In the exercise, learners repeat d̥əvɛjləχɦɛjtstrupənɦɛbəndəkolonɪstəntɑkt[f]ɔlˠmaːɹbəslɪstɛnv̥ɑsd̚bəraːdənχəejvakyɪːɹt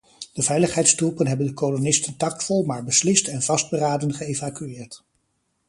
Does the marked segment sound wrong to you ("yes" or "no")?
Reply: no